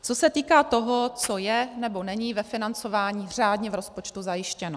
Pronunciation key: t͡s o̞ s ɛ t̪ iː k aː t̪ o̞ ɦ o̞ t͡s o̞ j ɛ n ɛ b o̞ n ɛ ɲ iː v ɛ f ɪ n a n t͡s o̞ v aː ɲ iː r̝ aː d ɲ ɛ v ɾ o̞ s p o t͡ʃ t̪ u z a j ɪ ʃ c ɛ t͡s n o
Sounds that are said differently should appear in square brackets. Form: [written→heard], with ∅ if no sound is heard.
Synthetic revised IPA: t͡s o̞ s ɛ t̪ iː k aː t̪ o̞ ɦ o̞ t͡s o̞ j ɛ n ɛ b o̞ n ɛ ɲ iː v ɛ f ɪ n a n t͡s o̞ v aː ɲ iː r̝ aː d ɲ ɛ v ɾ o̞ s p o t͡ʃ t̪ u z a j ɪ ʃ c ɛ [t͡s→∅] n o